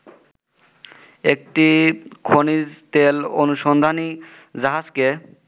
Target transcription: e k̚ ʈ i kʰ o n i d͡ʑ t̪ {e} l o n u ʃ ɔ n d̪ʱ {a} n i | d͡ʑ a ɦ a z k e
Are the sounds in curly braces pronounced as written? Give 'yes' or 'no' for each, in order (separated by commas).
yes, yes